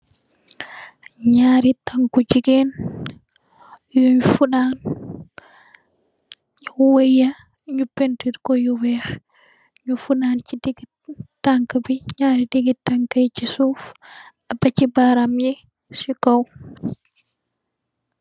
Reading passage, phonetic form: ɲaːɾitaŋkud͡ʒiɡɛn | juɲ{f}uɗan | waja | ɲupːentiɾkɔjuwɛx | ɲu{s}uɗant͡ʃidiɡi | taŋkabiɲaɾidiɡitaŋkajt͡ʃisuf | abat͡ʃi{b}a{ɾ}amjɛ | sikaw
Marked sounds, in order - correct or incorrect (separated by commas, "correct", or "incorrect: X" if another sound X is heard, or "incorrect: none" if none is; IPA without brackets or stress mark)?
correct, incorrect: f, correct, correct